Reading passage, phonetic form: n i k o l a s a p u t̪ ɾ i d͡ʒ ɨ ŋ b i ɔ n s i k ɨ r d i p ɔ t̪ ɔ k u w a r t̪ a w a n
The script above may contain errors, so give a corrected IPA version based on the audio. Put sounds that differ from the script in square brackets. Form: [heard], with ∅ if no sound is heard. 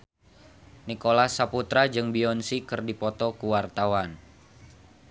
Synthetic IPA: n i k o l a s a p u t̪ ɾ [a] d͡ʒ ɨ ŋ b i ɔ n s i k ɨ r d i p ɔ t̪ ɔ k u w a r t̪ a w a n